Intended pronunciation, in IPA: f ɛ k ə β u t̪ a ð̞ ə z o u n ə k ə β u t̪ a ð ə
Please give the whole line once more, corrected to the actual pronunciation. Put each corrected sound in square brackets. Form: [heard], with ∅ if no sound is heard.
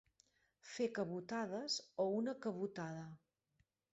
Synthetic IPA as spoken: f [e] k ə β u t̪ a ð̞ ə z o u n ə k ə β u t̪ a ð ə